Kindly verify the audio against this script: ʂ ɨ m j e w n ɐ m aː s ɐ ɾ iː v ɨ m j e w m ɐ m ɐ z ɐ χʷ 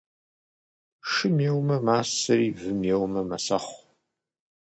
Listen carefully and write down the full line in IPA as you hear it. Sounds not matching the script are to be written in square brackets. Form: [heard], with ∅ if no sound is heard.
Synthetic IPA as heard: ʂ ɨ m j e w [m] ɐ m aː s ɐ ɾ iː v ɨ m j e w m ɐ m ɐ [s] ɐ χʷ